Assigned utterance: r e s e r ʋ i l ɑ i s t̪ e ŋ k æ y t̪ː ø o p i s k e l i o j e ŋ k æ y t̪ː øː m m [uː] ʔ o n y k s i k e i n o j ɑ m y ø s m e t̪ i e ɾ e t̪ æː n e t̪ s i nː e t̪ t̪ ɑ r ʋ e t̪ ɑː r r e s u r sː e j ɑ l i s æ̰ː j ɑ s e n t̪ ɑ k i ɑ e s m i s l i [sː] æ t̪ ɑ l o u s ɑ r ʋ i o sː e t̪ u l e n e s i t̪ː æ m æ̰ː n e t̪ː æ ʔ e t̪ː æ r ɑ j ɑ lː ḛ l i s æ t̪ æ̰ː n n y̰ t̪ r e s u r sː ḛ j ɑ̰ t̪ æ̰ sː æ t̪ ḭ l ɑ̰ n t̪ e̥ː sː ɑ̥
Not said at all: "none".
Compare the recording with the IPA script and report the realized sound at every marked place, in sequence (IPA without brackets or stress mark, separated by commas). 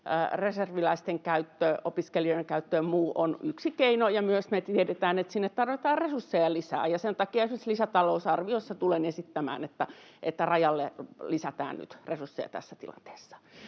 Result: uː, s